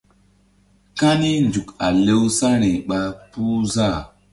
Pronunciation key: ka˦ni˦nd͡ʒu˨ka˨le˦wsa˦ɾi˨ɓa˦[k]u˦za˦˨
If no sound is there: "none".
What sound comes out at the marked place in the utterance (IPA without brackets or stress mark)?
p